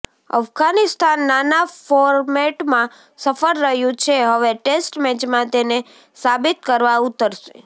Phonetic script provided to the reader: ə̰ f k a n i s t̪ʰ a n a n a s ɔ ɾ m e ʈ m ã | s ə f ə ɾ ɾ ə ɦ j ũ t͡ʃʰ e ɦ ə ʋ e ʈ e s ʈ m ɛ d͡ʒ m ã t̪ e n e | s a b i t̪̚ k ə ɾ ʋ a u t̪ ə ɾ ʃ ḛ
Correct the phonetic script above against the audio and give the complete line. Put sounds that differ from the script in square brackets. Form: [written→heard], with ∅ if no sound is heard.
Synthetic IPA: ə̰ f [k→ɡ] a n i s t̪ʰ a [n→nː] a n a [s→f] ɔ ɾ m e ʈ m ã | s ə f ə ɾ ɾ ə ɦ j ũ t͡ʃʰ e ɦ ə ʋ e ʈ e s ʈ m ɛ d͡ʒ m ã t̪ e n e | s a b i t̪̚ k ə ɾ ʋ a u t̪ ə ɾ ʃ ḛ